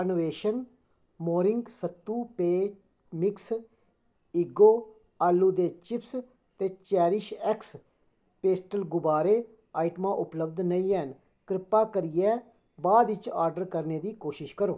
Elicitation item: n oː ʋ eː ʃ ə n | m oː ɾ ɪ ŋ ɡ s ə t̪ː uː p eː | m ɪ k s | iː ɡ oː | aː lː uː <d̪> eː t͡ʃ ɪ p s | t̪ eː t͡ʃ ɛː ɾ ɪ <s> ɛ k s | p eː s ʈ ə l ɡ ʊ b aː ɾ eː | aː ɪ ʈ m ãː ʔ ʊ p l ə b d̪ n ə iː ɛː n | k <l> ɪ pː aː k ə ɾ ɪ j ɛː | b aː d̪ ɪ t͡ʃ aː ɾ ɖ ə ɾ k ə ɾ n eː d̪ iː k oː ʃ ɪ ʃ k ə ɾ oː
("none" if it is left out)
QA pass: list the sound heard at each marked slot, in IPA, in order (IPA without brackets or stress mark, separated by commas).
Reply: d̪, ʃ, ɾ